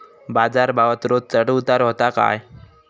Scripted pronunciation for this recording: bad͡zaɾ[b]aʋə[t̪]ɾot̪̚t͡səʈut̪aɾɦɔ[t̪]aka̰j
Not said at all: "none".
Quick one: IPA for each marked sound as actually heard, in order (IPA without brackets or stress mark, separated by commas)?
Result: b, t̪, t̪